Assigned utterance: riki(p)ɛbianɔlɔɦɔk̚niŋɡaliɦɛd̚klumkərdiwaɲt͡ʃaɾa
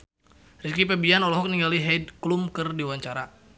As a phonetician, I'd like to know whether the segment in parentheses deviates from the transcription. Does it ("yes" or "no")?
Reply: no